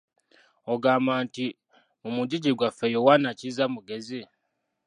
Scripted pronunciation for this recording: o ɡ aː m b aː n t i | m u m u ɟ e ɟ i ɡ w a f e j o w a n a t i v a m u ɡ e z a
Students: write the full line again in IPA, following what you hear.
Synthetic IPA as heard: o ɡ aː m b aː n t i | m u m u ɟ i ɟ i ɡ w a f e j o w a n a c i z a m u ɡ e z i